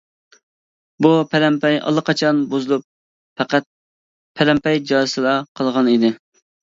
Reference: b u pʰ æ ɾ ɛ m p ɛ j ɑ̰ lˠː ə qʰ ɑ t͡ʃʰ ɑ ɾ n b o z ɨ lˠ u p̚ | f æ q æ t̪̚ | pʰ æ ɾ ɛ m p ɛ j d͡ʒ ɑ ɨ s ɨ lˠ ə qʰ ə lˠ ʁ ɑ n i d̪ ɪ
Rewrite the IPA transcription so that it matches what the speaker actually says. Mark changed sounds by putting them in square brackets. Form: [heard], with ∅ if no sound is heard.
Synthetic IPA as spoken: b u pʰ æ ɾ ɛ m p ɛ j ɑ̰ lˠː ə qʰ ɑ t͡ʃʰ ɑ [∅] n b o z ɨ lˠ u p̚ | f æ q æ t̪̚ | pʰ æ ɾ ɛ m p ɛ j d͡ʒ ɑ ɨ s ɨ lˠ [ɑ] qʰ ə lˠ ʁ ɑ n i d̪ ɪ